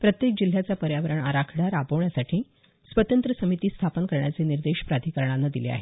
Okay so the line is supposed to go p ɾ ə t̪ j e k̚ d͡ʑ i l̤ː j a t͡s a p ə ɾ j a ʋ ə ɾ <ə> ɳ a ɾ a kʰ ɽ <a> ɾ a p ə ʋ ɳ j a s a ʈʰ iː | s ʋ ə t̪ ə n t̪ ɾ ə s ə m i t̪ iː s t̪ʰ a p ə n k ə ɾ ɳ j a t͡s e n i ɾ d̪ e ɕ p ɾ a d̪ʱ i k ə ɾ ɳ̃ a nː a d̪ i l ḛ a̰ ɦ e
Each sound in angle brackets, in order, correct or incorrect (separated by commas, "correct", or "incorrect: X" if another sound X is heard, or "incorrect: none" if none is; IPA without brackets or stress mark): correct, correct